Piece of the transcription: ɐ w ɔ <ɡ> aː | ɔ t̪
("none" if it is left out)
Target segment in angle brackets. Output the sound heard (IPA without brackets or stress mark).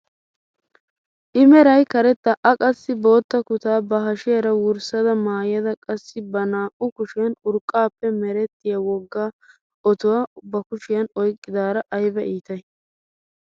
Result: ɡː